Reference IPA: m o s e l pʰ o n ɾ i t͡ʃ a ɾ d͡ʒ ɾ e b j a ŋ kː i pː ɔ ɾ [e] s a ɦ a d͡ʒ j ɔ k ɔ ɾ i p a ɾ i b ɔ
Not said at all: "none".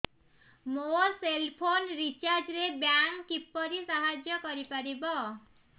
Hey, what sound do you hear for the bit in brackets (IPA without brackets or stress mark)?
i